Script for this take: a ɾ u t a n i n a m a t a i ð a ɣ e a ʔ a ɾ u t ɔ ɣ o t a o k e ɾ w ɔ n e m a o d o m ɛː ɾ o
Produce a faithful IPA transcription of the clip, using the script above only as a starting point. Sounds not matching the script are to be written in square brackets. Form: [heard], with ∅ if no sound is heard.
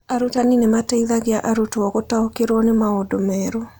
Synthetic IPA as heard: a ɾ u t a n i n [e] m a t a i ð a ɣ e a ʔ a ɾ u t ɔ ɣ o t a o k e ɾ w ɔ n e m a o d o m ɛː ɾ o